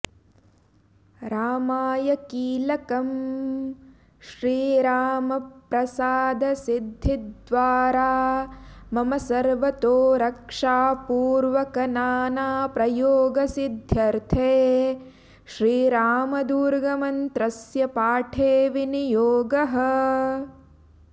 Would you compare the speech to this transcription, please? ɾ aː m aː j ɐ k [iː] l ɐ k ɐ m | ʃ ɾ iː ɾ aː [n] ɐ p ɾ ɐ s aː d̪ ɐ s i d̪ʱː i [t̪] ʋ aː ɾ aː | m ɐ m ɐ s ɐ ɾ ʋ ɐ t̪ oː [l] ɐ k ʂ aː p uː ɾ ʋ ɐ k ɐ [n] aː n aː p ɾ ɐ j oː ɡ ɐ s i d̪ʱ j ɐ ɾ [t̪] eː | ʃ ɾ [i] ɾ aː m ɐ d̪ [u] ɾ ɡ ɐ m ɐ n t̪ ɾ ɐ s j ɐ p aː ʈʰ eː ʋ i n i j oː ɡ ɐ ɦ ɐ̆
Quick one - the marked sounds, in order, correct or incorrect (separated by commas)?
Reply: correct, incorrect, incorrect, incorrect, correct, incorrect, incorrect, incorrect